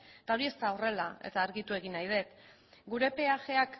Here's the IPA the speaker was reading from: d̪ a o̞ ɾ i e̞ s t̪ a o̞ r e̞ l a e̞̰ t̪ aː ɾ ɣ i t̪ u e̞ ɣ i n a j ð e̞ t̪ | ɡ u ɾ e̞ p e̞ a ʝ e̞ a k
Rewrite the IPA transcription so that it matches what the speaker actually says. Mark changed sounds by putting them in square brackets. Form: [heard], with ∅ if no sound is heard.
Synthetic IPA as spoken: [t̪] a o̞ ɾ i e̞ s t̪ a o̞ r e̞ l a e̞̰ t̪ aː ɾ ɣ i t̪ u e̞ ɣ i n a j ð e̞ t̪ | ɡ u ɾ e̞ p e̞ a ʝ e̞ a k